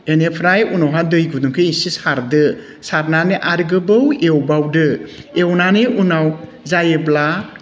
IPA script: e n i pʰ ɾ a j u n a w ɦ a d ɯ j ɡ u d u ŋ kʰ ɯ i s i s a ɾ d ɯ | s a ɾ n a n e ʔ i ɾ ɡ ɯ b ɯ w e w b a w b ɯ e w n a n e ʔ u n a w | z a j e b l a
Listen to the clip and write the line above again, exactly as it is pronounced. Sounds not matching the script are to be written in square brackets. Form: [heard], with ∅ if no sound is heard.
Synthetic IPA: e n [e] pʰ ɾ a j u n a w ɦ a d ɯ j ɡ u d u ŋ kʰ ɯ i s i s a ɾ d ɯ | s a ɾ n a n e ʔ [a] ɾ ɡ ɯ b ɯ w e w b a w [d] ɯ e w n a n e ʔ u n a w | z a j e b l a